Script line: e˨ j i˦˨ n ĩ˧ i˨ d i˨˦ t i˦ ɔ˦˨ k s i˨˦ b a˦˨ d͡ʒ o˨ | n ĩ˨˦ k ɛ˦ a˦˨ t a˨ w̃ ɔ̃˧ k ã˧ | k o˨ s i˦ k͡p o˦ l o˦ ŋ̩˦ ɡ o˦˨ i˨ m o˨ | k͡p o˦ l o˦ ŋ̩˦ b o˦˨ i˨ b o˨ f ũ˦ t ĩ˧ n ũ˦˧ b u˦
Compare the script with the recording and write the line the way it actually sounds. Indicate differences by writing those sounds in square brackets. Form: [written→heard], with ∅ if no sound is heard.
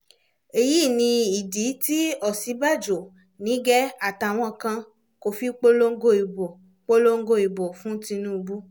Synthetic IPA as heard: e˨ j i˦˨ n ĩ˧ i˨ d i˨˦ t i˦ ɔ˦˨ [k→∅] s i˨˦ b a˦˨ d͡ʒ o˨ | n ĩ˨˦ [k→ɡ] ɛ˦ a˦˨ t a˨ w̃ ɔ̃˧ k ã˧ | k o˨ [s→f] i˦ k͡p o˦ l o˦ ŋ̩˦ ɡ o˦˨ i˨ [m→b] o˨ | k͡p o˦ l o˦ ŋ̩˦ [b→ɡ] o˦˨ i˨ b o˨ f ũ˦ t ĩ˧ n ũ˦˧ b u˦